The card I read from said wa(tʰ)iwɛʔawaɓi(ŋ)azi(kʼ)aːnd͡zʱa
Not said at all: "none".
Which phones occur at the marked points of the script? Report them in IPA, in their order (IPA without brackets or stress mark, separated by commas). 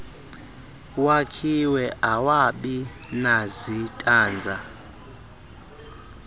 kʰ, n, tʼ